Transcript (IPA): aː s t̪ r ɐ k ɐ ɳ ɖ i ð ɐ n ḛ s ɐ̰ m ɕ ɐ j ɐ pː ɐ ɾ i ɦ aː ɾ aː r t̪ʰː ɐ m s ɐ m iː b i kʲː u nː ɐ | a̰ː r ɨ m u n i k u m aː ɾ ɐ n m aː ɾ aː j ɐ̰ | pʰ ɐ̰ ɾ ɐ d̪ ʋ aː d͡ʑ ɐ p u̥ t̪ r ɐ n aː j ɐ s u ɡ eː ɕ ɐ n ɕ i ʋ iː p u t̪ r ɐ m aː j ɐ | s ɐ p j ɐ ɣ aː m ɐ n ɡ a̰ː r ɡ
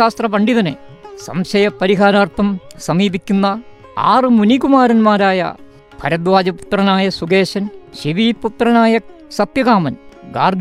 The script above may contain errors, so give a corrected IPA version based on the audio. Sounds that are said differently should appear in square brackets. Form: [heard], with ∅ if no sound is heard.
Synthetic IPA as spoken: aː s t̪ r ɐ [p] ɐ ɳ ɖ i ð ɐ n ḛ s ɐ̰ m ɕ ɐ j ɐ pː ɐ ɾ i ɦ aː ɾ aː r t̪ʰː ɐ m s ɐ m iː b i kʲː u nː ɐ | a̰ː r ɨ m u n i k u m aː ɾ ɐ n m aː ɾ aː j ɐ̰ | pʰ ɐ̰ ɾ ɐ d̪ ʋ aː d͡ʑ ɐ p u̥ t̪ r ɐ n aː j ɐ s u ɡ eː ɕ ɐ n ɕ i ʋ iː p u t̪ r ɐ [n] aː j ɐ | s ɐ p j ɐ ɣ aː m ɐ n ɡ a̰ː r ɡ